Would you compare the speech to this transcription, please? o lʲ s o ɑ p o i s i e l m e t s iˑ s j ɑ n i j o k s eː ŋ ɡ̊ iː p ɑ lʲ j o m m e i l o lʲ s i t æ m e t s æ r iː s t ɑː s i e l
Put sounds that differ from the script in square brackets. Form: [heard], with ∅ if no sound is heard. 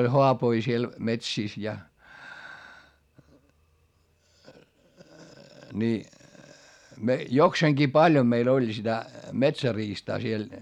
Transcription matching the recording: o lʲ [h] o ɑ p o i s i e l m e t s iˑ s j ɑ n i j o k s eː ŋ ɡ̊ iː p ɑ lʲ j o m m e i l o lʲ s i t æ m e t s æ r iː s t ɑː s i e l